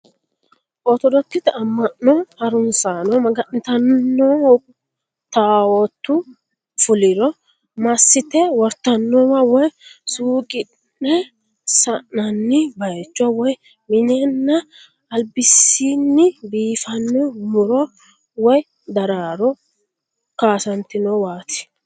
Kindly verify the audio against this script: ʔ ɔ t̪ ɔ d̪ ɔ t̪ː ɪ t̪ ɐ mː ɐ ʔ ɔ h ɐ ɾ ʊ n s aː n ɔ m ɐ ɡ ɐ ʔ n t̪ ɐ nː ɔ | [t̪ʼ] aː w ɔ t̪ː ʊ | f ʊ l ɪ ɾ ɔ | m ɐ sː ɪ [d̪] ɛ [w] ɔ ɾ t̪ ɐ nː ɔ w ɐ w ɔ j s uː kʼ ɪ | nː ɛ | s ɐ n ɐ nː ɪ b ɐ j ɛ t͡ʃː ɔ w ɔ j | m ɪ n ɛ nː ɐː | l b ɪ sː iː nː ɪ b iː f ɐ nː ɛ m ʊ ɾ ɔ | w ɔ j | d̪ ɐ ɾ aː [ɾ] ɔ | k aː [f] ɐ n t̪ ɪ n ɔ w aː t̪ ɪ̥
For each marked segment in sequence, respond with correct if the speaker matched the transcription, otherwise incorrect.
incorrect: t̪, incorrect: t̪, correct, correct, incorrect: s

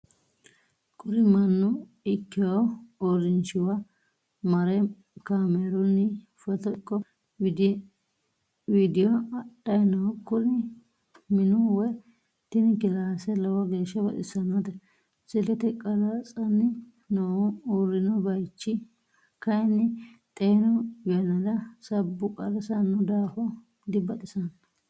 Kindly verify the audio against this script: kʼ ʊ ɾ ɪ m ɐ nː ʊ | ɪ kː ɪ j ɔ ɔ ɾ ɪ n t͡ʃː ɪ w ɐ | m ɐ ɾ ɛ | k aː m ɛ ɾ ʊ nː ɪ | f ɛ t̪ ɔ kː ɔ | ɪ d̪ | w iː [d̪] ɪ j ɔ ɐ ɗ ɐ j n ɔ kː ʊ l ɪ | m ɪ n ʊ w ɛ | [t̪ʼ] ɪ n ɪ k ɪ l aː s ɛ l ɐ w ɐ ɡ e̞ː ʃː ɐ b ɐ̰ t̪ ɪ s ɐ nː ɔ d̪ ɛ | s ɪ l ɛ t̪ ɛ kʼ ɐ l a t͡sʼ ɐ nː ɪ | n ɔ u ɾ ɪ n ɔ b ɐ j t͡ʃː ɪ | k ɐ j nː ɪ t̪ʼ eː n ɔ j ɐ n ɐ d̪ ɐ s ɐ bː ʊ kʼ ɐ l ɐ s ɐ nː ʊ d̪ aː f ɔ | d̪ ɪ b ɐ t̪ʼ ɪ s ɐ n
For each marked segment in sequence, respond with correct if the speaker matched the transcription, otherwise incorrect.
correct, incorrect: t̪

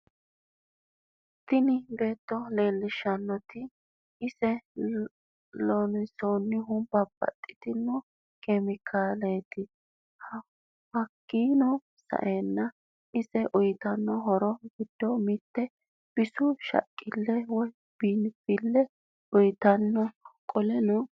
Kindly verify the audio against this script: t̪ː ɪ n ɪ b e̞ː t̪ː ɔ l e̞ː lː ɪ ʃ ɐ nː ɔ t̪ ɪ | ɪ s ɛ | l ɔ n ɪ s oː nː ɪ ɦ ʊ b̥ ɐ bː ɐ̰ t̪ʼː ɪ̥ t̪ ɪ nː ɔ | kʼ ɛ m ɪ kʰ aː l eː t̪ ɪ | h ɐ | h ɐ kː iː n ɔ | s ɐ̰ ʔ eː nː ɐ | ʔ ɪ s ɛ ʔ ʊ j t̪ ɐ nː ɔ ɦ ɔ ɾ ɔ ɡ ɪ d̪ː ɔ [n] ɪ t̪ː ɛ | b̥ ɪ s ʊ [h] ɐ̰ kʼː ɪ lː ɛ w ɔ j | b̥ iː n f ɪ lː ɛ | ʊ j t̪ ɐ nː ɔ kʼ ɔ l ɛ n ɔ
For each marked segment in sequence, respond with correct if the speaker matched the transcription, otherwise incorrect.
incorrect: m, incorrect: ʃ

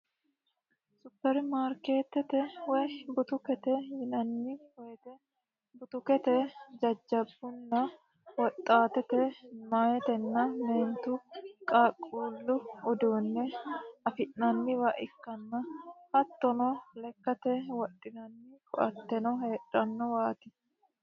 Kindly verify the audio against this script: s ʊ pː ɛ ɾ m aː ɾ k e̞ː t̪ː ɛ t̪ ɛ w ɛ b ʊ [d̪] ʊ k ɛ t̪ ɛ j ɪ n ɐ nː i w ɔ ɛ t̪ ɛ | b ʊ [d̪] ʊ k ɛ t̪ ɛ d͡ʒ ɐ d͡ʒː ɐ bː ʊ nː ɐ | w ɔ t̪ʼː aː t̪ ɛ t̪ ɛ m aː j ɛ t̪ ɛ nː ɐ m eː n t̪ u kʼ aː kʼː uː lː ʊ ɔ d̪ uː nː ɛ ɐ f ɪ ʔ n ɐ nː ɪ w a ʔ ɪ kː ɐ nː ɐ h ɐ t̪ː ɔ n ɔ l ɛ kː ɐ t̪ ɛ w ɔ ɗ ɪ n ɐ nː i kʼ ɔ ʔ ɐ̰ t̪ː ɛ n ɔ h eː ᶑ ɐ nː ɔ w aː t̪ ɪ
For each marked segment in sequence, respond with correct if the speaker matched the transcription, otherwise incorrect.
incorrect: t̪, incorrect: t̪

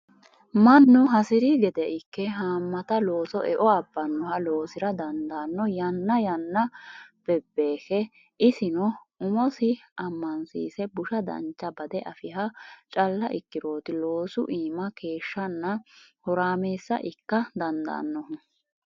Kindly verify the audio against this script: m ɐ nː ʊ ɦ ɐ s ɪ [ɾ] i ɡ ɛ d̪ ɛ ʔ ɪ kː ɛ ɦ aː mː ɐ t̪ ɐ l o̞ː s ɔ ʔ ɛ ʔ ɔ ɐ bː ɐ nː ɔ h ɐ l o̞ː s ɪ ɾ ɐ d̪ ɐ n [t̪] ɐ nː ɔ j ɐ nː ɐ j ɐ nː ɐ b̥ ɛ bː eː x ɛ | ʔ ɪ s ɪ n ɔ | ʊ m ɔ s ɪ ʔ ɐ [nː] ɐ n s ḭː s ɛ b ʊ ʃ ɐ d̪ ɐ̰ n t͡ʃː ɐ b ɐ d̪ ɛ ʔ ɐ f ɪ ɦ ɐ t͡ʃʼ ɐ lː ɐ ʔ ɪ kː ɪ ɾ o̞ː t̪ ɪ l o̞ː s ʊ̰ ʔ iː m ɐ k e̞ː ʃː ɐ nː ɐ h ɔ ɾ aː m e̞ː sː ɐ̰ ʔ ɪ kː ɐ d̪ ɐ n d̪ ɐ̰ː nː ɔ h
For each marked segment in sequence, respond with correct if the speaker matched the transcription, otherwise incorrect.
correct, incorrect: d̪, incorrect: mː

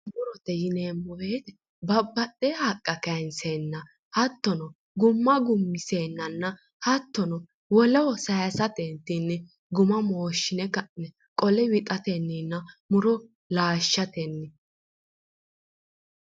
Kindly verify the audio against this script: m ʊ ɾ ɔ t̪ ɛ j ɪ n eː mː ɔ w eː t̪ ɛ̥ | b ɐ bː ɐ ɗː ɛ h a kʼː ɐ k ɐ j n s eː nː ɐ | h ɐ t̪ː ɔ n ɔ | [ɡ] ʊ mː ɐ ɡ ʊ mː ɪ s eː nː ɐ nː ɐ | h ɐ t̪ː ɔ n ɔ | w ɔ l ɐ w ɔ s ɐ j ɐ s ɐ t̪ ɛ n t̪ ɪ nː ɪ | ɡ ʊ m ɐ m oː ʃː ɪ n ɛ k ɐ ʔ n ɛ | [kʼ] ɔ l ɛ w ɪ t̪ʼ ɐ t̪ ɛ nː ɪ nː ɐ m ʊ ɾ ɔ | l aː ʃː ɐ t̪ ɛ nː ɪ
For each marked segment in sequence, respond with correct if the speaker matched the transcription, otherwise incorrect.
correct, correct

